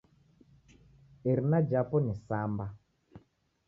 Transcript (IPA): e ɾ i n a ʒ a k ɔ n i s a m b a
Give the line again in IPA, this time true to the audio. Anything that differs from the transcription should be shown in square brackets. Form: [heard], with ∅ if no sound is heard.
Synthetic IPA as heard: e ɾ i n a [d͡ʒ] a [p] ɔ n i s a m b a